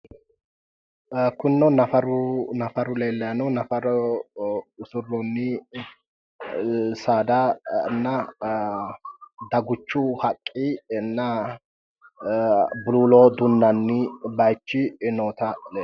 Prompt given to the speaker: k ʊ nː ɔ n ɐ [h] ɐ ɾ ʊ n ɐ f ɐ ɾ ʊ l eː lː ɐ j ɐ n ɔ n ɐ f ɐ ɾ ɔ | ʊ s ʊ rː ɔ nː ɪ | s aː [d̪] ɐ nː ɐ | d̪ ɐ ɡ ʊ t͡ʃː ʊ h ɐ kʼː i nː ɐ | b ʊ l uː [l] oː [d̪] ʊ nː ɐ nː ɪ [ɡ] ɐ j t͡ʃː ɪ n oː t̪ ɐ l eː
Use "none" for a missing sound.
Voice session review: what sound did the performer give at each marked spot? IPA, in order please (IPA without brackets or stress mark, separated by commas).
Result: f, d̪, l, d̪, b